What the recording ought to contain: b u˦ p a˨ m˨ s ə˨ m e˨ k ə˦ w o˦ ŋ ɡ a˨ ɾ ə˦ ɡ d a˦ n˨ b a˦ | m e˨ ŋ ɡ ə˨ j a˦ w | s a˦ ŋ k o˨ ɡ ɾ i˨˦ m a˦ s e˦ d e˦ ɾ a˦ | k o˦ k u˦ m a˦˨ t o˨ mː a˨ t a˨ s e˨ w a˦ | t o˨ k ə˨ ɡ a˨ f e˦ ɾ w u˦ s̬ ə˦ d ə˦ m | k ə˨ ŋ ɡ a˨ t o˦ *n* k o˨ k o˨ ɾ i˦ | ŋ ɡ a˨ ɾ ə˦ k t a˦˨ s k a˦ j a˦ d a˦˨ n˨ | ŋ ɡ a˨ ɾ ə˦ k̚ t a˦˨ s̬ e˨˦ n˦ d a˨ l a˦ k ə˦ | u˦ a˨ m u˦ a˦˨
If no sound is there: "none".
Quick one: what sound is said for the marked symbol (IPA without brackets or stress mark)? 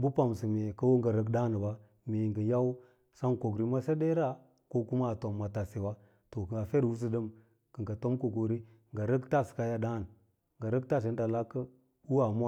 m